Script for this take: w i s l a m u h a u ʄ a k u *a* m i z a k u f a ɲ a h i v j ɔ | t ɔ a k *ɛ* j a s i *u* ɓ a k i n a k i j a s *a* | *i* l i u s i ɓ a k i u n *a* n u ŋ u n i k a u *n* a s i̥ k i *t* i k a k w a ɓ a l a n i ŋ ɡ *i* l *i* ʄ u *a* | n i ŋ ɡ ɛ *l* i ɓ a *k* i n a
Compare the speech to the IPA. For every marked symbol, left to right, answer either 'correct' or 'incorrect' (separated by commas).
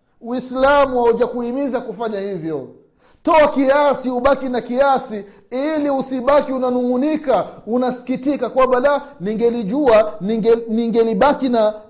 incorrect, incorrect, correct, incorrect, correct, correct, correct, correct, incorrect, correct, correct, correct, correct